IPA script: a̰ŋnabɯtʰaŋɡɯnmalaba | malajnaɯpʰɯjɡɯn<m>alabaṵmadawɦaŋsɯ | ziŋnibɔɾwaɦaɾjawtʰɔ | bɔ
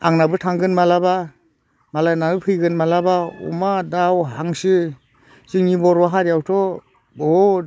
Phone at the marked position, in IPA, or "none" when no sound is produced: m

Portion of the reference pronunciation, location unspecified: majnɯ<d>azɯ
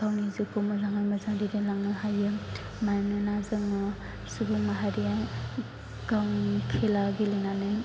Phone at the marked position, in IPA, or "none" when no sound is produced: n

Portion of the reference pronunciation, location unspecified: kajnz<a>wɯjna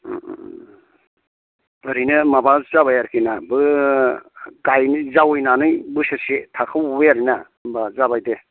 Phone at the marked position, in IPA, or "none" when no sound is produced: a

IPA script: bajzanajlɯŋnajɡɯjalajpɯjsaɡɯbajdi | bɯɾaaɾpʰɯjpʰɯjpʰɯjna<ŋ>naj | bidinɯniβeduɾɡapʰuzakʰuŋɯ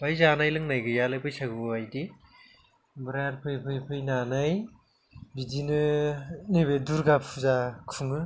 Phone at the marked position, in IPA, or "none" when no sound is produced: none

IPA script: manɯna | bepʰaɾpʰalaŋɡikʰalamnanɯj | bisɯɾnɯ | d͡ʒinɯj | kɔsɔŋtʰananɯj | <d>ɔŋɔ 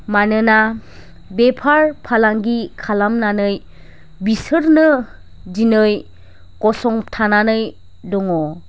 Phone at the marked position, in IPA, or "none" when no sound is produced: d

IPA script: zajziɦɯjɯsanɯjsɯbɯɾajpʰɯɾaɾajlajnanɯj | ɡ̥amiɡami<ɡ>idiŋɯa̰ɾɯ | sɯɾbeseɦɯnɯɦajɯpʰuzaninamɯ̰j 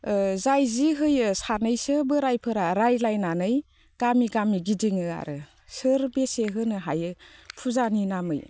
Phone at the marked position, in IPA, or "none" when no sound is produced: ɡ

